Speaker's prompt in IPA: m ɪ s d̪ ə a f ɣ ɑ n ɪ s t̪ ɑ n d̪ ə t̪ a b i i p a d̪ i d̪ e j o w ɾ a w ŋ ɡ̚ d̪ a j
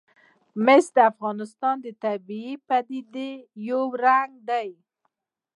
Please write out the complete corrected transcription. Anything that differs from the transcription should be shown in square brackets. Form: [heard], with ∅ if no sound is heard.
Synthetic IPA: m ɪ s d̪ ə a f ɣ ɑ n ɪ s t̪ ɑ n d̪ ə t̪ a b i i p a d̪ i d̪ e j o w ɾ a [∅] ŋ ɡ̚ d̪ a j